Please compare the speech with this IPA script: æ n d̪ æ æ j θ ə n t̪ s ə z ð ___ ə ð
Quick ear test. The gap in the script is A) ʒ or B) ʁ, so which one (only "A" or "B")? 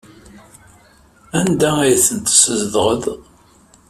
B